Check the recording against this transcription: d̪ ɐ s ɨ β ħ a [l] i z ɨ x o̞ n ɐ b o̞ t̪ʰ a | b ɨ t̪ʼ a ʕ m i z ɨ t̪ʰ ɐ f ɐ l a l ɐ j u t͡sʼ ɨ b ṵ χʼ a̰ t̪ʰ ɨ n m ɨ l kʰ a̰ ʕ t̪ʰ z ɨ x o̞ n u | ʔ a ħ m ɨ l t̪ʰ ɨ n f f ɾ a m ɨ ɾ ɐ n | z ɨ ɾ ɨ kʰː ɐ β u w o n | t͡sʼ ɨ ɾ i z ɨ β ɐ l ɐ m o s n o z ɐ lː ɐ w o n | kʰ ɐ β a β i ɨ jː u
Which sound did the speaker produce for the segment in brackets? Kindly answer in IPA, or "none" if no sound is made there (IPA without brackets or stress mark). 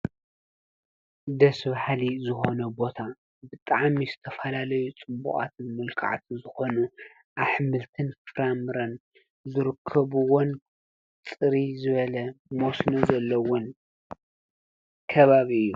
l